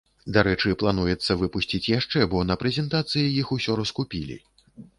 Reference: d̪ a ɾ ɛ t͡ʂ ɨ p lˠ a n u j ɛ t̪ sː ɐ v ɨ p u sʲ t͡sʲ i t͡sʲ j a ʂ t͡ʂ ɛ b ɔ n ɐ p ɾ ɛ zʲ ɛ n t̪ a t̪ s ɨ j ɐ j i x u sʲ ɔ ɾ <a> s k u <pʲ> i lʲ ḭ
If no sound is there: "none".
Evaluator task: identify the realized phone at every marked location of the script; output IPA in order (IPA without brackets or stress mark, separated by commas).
ɐ, pʲ